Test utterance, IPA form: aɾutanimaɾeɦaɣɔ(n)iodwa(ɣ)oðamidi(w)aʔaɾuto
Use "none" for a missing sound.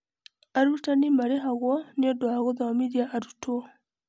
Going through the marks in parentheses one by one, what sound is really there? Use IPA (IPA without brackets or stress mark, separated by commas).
n, ɣ, none